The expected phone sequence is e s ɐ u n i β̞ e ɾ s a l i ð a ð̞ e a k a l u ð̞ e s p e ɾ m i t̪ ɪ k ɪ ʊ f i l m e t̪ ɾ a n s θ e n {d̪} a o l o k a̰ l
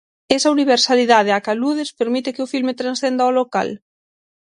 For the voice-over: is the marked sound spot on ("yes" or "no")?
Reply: yes